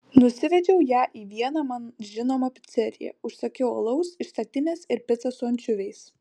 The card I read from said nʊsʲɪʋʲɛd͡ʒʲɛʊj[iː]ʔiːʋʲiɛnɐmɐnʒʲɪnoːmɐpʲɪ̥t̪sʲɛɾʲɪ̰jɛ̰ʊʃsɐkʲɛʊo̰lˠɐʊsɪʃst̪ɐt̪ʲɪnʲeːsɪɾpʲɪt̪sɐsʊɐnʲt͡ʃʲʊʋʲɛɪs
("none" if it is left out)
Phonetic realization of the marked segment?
æː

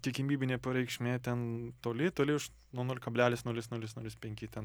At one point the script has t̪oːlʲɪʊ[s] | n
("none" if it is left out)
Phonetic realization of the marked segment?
ʃ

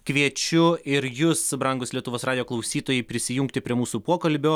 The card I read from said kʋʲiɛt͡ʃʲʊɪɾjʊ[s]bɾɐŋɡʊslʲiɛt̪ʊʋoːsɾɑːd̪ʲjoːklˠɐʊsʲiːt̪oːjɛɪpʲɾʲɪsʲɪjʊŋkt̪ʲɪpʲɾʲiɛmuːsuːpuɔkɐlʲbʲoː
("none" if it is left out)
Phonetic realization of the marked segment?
s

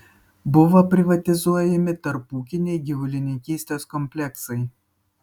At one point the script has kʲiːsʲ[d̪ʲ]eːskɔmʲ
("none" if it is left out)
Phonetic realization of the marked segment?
t̪ʲ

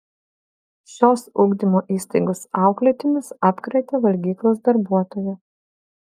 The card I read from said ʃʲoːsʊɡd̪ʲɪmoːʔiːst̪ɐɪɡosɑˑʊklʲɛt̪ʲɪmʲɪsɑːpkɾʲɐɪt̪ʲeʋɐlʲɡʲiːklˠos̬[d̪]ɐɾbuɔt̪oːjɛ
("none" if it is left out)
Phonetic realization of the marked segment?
d̪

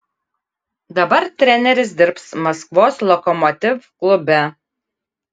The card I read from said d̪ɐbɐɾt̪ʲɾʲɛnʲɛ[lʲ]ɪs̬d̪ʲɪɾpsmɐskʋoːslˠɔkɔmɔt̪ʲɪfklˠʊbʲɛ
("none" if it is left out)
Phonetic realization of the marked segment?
ɾʲ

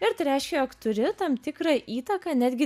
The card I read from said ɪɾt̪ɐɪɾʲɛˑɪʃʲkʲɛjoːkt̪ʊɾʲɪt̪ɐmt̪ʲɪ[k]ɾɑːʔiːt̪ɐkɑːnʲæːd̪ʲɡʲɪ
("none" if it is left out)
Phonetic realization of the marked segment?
k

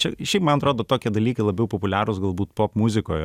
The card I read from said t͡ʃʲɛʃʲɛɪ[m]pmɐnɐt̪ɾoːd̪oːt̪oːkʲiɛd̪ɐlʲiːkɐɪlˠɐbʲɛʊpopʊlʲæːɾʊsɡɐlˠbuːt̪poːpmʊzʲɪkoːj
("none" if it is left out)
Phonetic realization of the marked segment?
none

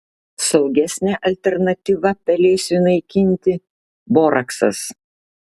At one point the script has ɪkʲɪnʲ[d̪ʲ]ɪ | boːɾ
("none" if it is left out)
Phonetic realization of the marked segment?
t̪ʲ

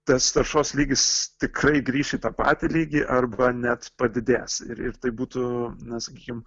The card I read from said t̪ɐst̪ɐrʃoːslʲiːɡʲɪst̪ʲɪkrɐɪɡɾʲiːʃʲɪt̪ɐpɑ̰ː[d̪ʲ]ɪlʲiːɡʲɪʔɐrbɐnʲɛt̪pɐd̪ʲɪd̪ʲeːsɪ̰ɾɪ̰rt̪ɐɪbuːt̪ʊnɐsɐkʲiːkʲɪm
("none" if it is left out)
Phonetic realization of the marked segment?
t̪ʲ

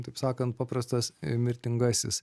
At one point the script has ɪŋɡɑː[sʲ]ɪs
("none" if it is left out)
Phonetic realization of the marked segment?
sʲ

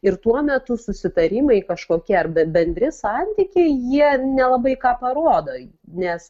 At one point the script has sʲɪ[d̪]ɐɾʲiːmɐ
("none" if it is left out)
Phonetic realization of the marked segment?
t̪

